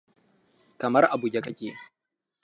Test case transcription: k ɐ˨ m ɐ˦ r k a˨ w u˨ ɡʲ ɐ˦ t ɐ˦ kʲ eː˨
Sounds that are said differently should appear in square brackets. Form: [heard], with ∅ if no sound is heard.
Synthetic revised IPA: k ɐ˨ m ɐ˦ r [ʔ] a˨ [b] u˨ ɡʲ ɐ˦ [k] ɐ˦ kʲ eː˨